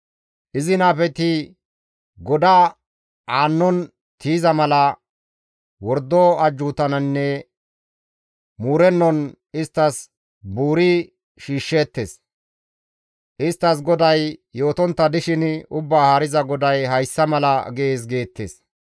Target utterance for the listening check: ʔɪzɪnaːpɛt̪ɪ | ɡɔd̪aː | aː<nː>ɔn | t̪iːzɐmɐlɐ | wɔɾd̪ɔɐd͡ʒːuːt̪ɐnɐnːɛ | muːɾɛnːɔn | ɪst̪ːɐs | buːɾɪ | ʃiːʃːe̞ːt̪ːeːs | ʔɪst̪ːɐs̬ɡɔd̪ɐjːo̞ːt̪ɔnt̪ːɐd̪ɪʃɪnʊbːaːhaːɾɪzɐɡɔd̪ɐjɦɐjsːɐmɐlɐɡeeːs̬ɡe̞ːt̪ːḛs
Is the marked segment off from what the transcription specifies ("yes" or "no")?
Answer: no